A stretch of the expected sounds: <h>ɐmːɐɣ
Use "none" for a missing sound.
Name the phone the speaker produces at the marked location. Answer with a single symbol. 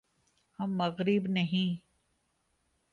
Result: h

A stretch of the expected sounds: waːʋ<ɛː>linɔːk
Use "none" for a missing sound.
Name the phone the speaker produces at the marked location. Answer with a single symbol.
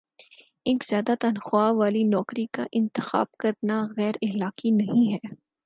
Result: aː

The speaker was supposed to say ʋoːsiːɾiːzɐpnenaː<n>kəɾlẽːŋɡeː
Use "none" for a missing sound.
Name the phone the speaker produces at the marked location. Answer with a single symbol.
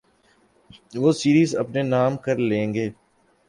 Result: m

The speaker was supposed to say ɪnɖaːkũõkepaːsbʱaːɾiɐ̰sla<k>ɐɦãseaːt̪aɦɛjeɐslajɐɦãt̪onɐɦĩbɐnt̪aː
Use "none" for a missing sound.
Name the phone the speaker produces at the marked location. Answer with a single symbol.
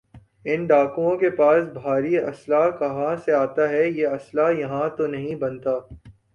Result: k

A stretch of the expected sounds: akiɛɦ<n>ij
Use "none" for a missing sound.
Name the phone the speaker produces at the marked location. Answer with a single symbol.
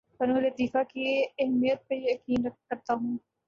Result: m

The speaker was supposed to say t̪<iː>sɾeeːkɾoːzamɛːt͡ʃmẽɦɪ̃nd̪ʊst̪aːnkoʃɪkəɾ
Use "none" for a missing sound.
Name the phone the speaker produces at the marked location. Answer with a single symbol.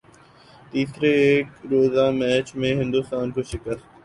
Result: iː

